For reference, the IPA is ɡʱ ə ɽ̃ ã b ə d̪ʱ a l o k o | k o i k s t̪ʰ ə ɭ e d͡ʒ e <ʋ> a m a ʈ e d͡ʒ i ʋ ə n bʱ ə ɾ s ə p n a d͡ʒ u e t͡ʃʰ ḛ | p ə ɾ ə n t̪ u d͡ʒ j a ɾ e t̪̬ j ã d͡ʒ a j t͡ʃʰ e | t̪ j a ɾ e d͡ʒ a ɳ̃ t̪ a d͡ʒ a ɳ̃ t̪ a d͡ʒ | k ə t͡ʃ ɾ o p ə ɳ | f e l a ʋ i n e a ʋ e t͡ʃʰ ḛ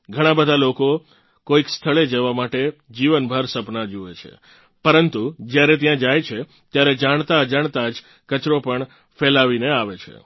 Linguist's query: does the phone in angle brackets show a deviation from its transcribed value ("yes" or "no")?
no